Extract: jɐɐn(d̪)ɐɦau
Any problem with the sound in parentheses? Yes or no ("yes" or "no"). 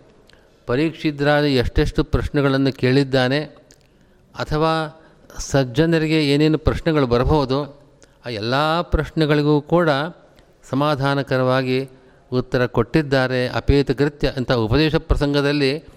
yes